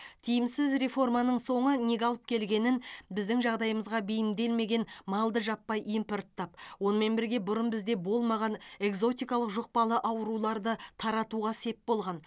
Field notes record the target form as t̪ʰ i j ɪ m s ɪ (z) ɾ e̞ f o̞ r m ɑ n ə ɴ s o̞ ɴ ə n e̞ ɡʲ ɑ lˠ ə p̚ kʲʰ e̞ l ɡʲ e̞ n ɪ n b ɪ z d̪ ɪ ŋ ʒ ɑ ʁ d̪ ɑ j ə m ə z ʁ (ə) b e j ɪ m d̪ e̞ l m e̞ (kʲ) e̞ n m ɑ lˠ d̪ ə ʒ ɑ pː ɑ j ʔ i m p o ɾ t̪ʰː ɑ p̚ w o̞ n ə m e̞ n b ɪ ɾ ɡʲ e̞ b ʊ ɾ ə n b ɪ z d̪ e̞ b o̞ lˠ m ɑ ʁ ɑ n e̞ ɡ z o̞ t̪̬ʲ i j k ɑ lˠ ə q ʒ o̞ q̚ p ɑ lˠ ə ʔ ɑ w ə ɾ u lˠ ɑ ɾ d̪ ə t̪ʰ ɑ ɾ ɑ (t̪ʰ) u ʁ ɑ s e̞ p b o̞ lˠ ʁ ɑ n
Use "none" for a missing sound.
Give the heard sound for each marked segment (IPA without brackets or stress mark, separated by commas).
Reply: z, ɑ, ɡʲ, t̪